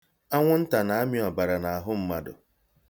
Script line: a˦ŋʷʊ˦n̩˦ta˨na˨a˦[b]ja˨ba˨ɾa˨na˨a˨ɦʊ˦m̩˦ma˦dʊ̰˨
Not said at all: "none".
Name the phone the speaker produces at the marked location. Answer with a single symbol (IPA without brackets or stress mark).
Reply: m